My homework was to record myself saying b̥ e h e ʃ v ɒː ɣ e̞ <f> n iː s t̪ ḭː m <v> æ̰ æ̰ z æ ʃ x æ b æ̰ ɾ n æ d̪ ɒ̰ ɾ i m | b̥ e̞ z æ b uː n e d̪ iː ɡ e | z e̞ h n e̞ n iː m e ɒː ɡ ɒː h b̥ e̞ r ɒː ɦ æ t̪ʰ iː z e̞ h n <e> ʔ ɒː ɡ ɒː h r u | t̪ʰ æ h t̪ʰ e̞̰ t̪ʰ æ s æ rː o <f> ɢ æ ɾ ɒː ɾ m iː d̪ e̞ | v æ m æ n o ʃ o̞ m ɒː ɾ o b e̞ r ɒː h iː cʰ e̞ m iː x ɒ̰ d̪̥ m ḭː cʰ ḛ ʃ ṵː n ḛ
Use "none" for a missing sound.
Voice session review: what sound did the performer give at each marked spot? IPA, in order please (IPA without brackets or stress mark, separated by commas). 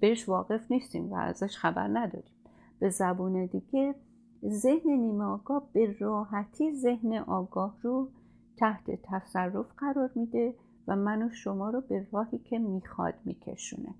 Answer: f, v, e, f